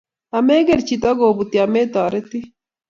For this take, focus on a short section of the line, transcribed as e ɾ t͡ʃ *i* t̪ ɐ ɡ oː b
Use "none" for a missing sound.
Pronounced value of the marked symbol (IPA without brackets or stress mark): i